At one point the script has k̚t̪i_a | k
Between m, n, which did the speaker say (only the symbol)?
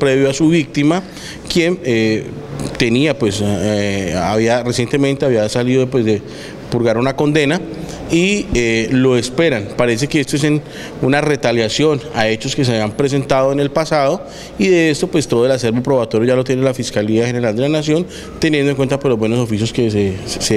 m